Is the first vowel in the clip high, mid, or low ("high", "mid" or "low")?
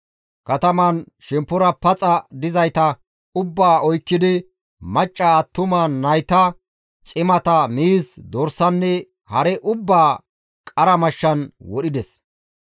low